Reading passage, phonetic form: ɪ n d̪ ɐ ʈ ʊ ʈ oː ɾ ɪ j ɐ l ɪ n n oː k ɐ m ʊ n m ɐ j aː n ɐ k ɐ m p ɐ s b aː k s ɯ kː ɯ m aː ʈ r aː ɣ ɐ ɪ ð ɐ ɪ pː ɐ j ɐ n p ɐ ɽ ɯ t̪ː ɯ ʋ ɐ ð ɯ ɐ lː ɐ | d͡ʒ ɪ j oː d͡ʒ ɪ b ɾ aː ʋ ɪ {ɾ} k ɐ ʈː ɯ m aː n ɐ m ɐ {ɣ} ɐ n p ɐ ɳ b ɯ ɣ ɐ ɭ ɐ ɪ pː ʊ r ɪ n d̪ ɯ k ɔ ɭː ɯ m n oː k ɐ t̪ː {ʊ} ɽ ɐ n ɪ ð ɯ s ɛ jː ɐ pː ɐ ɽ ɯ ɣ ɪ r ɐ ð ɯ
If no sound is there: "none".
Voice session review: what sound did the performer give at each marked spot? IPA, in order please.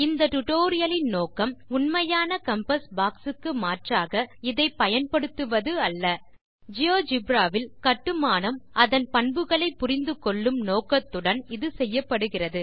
l, ð, ɯ

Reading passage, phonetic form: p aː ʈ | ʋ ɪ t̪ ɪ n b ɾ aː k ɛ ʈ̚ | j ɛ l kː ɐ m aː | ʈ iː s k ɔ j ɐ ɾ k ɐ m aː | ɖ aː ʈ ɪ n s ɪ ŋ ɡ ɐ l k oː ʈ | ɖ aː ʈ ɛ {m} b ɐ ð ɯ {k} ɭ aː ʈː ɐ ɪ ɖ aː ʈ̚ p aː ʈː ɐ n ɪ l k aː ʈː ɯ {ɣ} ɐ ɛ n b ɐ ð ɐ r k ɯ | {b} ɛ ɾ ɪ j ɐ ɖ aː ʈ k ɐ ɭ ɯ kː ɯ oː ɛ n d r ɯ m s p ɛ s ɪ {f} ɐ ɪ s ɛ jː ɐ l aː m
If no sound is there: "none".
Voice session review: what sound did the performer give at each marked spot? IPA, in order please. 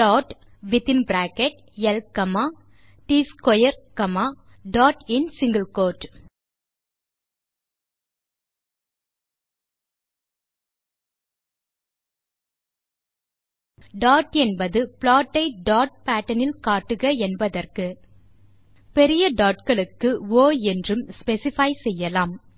n, p, ɣ, p, f

